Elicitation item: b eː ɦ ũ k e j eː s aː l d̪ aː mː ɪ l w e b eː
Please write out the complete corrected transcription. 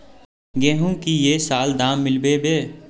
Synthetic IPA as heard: ɡ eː ɦ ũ k i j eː s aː l d̪ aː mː ɪ l b e b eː